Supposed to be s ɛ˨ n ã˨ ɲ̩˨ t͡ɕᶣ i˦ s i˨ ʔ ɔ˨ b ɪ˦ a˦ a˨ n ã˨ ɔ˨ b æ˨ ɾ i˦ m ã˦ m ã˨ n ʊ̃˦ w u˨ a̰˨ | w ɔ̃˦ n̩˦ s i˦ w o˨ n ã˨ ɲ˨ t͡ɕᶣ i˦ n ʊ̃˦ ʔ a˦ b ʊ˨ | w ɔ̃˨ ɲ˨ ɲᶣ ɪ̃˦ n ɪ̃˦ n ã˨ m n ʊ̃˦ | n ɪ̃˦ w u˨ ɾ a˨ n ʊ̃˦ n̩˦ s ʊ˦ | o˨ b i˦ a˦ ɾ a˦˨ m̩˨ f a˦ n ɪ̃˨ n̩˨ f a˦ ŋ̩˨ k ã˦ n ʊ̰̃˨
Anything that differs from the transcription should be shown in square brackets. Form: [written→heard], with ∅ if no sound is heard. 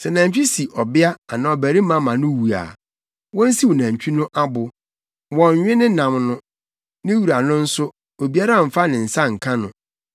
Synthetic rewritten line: s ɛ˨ n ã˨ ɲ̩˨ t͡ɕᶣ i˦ s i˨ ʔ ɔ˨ b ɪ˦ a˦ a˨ n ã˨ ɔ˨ b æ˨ ɾ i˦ m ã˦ m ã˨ n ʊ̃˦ w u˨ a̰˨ | w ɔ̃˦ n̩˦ s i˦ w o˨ n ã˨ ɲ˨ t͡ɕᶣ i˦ n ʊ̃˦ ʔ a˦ b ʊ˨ | w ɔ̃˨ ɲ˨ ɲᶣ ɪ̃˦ n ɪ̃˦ n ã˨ m n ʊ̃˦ | n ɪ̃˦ w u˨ ɾ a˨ n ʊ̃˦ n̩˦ s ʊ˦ | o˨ b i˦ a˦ ɾ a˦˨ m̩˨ f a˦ n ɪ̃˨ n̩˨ [f→s] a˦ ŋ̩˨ [k→kʰ] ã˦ n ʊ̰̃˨